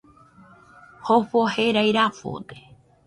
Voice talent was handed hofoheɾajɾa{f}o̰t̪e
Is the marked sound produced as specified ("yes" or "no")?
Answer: yes